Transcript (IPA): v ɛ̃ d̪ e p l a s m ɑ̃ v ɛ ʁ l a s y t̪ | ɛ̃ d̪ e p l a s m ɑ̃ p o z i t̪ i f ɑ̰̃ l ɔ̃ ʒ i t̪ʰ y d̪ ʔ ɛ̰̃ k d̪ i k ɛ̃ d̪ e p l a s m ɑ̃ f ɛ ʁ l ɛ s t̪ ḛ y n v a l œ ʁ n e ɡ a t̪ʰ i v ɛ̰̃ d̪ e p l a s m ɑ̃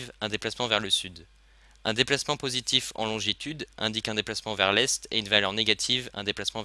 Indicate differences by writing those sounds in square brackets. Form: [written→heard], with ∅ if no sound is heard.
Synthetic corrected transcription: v ɛ̃ d̪ e p l a s m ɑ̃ v ɛ ʁ l [a→ə] s y [t̪→d̪] | ɛ̃ d̪ e p l a s m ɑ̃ p o z i t̪ i f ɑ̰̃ l ɔ̃ ʒ i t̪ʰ y d̪ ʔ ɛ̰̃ [k→∅] d̪ i k ɛ̃ d̪ e p l a s m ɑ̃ [f→v] ɛ ʁ l ɛ s t̪ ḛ y n v a l œ ʁ n e ɡ a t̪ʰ i v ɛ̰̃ d̪ e p l a s m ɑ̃